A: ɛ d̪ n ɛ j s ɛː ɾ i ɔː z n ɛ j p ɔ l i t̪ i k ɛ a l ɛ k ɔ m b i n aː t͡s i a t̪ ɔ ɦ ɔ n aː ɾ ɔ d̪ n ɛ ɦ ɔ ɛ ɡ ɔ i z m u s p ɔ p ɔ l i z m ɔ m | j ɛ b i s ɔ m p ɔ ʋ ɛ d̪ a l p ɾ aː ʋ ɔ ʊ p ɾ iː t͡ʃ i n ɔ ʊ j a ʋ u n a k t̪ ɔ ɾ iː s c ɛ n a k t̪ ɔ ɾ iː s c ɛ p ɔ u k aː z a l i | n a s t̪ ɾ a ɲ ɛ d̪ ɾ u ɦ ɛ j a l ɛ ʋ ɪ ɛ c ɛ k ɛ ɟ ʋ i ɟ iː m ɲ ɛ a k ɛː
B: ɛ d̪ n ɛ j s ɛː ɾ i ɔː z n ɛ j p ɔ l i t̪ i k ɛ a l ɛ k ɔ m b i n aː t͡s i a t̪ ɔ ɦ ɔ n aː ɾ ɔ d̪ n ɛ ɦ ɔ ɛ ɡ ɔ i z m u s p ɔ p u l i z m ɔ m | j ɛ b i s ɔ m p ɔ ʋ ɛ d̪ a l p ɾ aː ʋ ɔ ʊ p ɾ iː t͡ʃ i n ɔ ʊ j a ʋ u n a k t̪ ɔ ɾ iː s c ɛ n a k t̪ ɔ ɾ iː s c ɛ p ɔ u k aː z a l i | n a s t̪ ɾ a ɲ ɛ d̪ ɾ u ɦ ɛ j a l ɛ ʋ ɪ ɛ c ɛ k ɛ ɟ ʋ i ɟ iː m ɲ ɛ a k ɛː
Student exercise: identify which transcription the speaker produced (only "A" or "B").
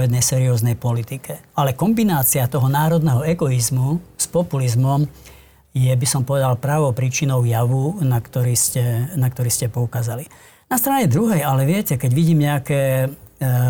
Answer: B